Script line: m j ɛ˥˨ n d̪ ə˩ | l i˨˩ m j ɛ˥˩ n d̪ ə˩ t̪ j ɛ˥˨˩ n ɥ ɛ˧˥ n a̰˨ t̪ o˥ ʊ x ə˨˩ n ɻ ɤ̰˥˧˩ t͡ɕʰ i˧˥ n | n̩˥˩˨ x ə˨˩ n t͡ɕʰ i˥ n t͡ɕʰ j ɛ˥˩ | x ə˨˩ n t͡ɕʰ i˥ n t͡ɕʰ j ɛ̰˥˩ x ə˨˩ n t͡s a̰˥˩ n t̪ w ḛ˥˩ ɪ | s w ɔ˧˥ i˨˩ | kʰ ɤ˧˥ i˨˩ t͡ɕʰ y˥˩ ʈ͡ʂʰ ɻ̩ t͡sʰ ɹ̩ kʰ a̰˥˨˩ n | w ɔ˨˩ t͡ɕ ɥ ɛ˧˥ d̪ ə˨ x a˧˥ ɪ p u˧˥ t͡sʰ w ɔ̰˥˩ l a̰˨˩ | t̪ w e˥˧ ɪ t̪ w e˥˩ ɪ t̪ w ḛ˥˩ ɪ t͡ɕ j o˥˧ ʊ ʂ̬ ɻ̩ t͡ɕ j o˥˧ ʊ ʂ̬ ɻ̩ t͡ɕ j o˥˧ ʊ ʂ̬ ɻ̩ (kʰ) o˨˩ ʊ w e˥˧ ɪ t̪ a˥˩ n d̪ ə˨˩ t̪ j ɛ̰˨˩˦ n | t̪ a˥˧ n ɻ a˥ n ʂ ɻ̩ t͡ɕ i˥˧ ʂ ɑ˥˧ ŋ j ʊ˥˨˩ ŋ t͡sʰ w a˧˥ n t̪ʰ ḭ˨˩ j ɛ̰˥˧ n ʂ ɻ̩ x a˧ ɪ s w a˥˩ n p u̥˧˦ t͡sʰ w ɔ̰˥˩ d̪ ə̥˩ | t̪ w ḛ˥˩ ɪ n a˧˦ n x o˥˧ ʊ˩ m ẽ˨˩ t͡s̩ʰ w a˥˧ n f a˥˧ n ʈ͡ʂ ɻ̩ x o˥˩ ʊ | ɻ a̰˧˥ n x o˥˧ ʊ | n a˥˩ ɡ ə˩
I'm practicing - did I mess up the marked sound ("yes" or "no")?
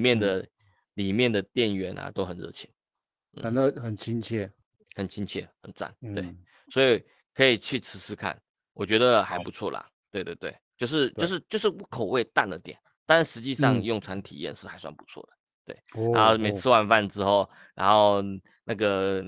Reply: no